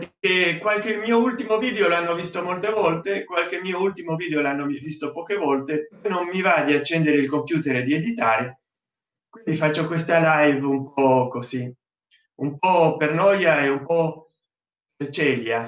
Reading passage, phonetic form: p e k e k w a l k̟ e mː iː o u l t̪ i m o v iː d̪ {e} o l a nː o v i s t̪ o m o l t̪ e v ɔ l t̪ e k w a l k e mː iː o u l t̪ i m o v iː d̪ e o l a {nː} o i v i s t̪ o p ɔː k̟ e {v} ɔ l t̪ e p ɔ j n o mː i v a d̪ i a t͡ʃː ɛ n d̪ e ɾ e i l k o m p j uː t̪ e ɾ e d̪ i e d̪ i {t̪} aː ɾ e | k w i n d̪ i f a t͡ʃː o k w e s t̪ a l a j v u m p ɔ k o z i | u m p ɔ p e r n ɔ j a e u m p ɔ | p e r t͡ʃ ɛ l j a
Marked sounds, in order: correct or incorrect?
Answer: correct, correct, correct, correct

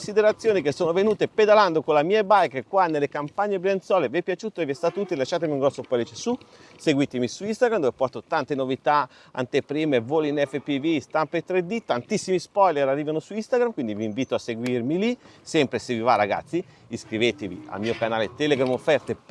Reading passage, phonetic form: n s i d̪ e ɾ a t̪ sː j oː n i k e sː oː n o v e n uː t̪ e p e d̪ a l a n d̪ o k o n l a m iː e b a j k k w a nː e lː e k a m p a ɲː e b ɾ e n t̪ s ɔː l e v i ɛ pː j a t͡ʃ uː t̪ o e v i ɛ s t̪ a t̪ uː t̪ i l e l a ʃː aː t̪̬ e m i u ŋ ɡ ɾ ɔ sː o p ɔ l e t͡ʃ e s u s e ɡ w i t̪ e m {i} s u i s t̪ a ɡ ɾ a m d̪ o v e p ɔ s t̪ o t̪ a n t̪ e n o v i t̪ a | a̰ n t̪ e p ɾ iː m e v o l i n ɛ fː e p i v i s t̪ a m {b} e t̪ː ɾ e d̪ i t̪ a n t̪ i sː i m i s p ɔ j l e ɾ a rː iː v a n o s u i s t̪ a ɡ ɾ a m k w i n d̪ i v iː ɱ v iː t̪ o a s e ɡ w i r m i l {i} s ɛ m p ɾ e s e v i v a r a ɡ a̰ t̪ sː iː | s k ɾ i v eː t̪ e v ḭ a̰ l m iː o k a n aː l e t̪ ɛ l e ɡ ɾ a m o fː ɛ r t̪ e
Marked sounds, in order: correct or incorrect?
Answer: correct, incorrect, correct

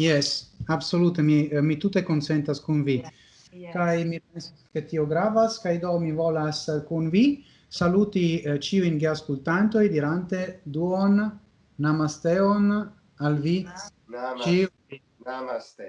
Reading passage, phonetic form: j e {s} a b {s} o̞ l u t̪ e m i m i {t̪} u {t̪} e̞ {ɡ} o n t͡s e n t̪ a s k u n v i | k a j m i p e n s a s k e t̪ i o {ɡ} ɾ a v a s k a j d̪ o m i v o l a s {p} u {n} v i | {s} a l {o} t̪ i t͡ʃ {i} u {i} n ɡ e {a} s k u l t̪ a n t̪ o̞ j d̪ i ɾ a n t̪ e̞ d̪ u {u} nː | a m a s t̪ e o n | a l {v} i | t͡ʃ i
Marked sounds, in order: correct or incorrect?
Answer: correct, correct, correct, correct, incorrect, correct, incorrect, correct, correct, incorrect, correct, incorrect, correct, incorrect, correct

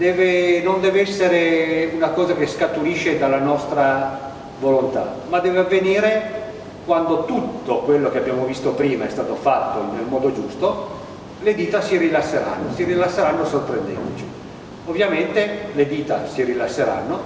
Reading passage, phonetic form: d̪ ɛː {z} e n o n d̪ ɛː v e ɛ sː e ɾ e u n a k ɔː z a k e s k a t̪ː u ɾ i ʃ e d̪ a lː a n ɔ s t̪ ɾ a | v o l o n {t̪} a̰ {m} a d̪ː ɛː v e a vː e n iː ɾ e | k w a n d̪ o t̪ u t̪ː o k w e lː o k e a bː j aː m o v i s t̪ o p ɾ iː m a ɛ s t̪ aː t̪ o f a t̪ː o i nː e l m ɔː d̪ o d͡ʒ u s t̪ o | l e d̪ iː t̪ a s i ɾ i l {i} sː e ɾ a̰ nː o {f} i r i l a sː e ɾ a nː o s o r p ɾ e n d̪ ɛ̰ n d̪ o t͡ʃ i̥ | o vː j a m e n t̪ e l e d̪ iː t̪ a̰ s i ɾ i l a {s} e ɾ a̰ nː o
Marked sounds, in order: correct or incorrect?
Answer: incorrect, correct, correct, incorrect, incorrect, incorrect

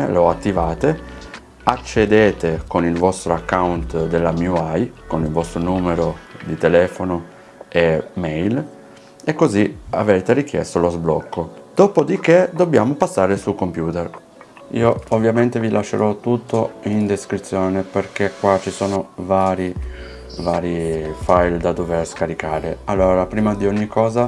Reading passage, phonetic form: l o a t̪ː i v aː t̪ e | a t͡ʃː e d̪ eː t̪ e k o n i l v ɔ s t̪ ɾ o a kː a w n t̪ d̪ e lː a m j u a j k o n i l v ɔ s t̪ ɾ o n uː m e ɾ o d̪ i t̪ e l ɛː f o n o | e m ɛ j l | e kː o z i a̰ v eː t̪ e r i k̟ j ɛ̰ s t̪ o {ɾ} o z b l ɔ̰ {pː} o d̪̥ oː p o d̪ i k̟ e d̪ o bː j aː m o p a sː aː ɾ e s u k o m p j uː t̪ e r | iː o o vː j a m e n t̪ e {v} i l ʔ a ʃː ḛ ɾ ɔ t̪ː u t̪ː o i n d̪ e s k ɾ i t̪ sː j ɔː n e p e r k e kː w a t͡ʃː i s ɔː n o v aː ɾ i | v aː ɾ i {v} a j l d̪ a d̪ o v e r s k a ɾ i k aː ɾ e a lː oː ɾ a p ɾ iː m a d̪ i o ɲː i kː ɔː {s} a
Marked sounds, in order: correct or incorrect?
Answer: incorrect, incorrect, correct, incorrect, incorrect

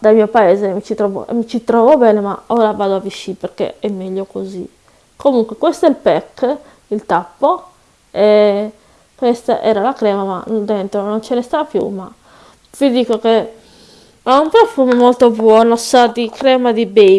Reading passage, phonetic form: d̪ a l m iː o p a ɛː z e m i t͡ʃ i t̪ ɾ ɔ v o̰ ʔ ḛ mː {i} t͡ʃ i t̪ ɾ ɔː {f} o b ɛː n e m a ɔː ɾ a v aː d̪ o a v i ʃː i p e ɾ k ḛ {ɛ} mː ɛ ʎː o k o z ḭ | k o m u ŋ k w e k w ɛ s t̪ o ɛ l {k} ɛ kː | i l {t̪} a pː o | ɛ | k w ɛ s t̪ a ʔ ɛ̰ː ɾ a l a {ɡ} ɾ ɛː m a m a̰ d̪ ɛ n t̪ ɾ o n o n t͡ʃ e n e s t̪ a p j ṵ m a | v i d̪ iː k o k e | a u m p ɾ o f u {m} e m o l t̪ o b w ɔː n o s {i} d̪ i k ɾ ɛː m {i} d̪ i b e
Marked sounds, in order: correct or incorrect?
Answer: correct, incorrect, correct, incorrect, correct, incorrect, correct, incorrect, incorrect

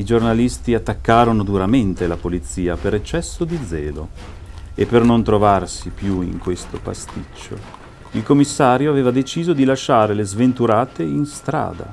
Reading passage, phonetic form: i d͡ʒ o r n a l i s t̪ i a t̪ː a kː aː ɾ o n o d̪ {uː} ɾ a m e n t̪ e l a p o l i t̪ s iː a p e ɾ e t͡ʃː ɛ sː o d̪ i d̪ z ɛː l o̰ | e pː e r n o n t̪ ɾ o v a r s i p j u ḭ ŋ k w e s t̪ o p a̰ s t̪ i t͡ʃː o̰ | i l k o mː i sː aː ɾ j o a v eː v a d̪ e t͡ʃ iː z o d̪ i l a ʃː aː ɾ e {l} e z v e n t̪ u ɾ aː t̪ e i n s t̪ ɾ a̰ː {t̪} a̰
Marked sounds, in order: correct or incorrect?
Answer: incorrect, correct, incorrect

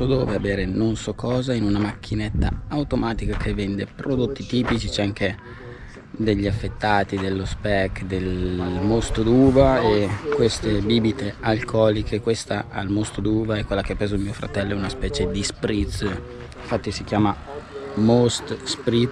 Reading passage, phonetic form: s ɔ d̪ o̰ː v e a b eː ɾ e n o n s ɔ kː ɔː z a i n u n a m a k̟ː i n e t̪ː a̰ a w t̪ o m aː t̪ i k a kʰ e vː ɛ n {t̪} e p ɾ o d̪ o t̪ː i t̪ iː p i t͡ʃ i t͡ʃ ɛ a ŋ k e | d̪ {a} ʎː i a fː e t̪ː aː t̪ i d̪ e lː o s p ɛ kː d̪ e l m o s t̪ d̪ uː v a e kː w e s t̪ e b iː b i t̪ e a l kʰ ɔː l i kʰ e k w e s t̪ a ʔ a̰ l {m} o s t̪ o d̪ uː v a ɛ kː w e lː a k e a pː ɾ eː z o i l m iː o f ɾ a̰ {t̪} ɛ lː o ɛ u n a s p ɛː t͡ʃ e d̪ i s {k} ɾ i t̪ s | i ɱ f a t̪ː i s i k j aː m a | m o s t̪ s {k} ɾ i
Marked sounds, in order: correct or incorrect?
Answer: incorrect, incorrect, correct, correct, incorrect, incorrect

